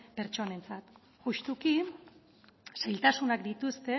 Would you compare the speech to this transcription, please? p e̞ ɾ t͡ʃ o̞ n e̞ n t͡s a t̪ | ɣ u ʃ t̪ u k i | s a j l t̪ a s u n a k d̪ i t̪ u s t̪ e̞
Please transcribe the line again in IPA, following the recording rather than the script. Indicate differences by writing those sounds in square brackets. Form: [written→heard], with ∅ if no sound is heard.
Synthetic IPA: p e̞ ɾ t͡ʃ o̞ n e̞ n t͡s a t̪ | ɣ u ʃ t̪ u k i | s a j l t̪ a s u n a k d̪ i t̪ u s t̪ e̞